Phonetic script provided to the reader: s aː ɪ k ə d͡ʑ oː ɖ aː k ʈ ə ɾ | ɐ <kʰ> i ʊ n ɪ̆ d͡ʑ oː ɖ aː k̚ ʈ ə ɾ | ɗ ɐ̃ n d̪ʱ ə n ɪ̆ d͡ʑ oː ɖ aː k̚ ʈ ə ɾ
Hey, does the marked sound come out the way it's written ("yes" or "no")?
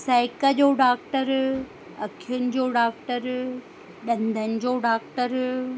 yes